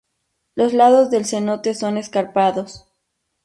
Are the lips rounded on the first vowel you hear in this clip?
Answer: yes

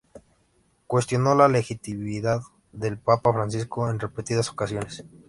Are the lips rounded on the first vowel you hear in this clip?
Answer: no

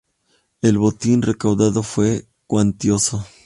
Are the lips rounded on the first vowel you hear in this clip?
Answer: no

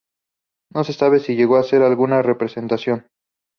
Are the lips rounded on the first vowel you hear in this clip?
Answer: yes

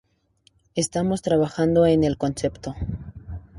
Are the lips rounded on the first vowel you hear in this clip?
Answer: no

